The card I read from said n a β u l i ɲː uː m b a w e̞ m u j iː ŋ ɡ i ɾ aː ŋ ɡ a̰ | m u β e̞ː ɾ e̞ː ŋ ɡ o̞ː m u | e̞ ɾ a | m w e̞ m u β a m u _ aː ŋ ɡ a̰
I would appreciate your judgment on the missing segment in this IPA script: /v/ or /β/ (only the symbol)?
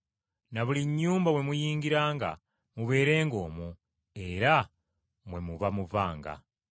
v